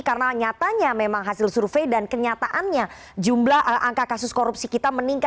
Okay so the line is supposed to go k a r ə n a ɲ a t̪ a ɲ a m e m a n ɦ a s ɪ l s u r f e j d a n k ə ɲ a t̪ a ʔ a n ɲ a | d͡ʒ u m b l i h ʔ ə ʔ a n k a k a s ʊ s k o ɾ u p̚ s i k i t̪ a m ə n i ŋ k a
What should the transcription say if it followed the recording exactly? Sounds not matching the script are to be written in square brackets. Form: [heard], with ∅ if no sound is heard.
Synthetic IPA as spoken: k a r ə n a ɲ a t̪ a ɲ a m e m a [ŋ] ɦ a s ɪ l s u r f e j d a n k ə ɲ a t̪ a ʔ a n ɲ a | d͡ʒ u m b l [a] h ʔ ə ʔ a [ŋ] k a k a s ʊ s k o ɾ u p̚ s i k i t̪ a m ə n i ŋ k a